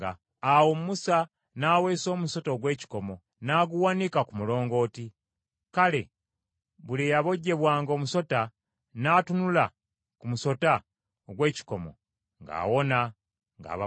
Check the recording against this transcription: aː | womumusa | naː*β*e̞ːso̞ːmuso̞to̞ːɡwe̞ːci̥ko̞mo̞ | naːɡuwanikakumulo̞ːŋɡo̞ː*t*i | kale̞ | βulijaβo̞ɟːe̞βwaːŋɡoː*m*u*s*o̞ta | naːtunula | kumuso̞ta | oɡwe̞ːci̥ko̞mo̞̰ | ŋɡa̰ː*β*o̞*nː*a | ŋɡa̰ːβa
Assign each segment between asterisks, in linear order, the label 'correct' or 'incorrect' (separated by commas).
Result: incorrect, correct, correct, correct, incorrect, incorrect